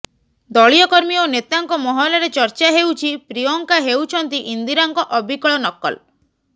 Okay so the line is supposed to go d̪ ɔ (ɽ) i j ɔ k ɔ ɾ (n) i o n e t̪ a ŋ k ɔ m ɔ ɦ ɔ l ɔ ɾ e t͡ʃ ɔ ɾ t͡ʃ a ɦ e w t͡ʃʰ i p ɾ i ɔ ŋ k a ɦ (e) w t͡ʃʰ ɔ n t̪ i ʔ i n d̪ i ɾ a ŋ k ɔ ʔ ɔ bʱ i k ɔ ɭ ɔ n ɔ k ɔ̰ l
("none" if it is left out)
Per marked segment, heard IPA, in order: ɭ, m, e

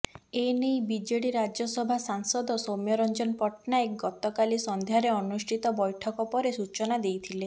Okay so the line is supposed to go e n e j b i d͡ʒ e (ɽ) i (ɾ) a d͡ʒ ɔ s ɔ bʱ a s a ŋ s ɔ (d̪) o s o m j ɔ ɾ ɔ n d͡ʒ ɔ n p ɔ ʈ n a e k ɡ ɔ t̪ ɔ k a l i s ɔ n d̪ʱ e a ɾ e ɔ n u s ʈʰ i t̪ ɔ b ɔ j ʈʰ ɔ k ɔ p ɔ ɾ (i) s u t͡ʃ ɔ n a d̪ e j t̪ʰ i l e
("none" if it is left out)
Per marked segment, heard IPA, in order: ɽ, ɾ, d̪, e

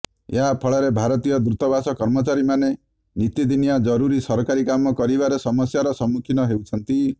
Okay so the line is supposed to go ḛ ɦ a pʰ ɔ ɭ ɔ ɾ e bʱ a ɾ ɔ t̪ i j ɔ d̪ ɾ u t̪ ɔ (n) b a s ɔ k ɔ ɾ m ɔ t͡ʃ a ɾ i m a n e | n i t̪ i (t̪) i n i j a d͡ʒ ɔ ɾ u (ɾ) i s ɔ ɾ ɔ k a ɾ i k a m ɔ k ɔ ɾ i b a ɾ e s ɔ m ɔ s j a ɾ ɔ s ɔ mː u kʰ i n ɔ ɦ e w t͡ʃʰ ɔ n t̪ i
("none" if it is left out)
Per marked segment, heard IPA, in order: none, d̪, ɾ

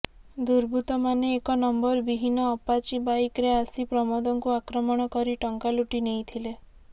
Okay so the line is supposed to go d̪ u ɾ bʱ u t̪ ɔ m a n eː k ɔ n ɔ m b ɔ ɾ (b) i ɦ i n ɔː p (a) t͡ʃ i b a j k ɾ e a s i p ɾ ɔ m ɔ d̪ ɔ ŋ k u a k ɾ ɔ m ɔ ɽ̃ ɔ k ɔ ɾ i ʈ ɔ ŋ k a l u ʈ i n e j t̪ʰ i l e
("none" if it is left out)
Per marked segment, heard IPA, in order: b, a

